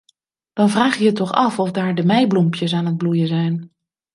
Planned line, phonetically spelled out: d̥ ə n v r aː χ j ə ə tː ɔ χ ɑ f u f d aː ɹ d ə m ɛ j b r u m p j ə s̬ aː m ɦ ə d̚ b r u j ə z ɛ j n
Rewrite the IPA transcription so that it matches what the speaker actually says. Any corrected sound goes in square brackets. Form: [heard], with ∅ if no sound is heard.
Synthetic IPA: d̥ [ɑ] n v r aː χ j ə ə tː ɔ χ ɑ f [ɔ] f d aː ɹ d ə m ɛ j b [l] u m p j ə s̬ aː [n] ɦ ə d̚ b [l] u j ə z ɛ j n

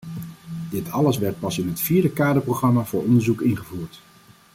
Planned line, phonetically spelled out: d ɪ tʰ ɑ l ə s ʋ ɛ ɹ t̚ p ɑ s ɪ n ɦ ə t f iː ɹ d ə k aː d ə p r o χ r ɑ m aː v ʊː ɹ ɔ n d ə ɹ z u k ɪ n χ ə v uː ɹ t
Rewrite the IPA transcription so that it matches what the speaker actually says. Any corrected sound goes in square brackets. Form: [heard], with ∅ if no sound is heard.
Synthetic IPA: d ɪ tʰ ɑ l ə s ʋ ɛ ɹ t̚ p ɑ s ɪ n ɦ ə t f iː ɹ d ə k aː d ə p r o χ r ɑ m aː v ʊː ɹ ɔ n d ə ɹ z u k ɪ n χ ə v uː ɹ t

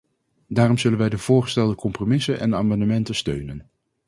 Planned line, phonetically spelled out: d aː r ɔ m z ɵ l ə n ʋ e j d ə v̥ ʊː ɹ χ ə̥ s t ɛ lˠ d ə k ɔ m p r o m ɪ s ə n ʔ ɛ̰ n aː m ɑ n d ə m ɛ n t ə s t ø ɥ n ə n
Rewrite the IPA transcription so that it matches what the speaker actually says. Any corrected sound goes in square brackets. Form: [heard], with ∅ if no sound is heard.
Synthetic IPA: d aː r ɔ m z ɵ l ə n ʋ [ɛ] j d ə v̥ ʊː ɹ χ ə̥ s t ɛ lˠ d ə k ɔ m p r o m ɪ s ə n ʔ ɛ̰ n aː m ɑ n d ə m ɛ n t ə s t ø ɥ n ə n

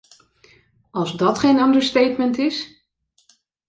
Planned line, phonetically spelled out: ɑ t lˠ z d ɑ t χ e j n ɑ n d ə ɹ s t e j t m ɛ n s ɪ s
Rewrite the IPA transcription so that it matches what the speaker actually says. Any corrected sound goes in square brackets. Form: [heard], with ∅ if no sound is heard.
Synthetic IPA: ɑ [∅] lˠ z d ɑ t χ e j n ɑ n d ə ɹ s t e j t m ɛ n [t] ɪ s

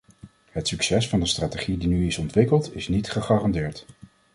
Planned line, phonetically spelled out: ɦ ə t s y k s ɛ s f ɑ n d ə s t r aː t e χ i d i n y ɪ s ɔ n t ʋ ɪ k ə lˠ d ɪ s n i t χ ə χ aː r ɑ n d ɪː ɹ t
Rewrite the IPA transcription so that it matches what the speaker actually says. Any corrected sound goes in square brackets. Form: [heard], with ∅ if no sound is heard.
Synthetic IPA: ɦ ə t s y k s ɛ s f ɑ n d ə s t r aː t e χ i d i n y ɪ s ɔ n t ʋ ɪ k ə lˠ [t] ɪ s n i t χ ə χ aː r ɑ n d ɪː ɹ t

